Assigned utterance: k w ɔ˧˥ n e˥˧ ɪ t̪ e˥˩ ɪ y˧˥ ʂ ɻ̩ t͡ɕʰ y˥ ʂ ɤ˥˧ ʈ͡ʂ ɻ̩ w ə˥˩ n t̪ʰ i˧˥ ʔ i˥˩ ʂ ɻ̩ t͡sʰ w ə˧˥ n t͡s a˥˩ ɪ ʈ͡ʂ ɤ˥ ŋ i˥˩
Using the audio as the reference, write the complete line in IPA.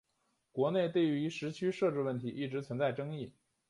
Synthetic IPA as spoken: k w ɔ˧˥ n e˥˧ ɪ t̪ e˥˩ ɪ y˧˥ ʂ ɻ̩ t͡ɕʰ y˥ ʂ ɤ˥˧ ʈ͡ʂ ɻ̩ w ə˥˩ n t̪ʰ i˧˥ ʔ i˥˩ ʈ͡ʂ ɻ̩ t͡sʰ w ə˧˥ n t͡s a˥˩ ɪ ʈ͡ʂ ɤ˥ ŋ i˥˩